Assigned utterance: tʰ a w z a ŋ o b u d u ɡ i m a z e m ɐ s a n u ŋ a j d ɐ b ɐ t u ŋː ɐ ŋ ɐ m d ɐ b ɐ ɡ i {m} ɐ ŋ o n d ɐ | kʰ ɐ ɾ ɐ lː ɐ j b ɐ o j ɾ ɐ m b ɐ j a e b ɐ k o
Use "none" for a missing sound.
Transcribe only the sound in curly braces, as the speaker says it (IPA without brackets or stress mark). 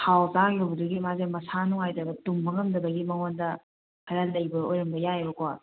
m